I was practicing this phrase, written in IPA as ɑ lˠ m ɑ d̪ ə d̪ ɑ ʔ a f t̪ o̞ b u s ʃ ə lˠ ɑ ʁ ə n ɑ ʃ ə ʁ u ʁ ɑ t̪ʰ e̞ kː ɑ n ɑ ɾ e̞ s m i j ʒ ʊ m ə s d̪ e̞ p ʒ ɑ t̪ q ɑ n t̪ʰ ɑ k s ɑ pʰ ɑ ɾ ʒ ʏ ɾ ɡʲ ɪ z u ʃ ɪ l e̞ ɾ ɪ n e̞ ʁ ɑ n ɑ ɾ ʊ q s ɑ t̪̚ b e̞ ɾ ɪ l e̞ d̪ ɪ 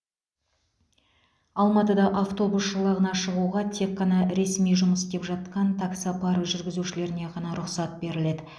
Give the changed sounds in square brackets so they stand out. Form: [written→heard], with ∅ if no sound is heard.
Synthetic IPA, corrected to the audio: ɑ lˠ m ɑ [d̪→t̪] ə d̪ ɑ ʔ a f t̪ o̞ b u s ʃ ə lˠ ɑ ʁ ə n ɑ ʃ ə ʁ u ʁ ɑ t̪ʰ e̞ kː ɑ n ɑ ɾ e̞ s m i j ʒ ʊ m ə s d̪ e̞ p ʒ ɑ t̪ q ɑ n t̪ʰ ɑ k s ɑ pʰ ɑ ɾ ʒ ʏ ɾ ɡʲ ɪ z u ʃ ɪ l e̞ ɾ ɪ n e̞ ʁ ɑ n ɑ ɾ ʊ q s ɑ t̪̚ b e̞ ɾ ɪ l e̞ d̪ ɪ